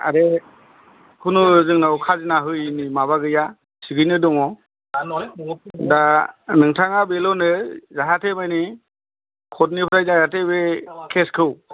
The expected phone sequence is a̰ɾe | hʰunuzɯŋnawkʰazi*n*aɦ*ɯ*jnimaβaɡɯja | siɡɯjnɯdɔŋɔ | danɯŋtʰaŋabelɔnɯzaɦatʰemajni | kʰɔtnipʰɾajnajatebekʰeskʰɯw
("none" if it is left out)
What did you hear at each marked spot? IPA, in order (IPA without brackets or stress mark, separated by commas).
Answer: n, ɯ